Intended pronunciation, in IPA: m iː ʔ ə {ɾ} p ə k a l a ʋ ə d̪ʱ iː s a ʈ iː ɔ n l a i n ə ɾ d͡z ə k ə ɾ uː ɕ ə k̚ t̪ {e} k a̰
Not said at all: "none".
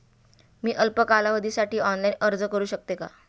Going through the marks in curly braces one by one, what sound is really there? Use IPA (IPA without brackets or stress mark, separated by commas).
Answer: l, e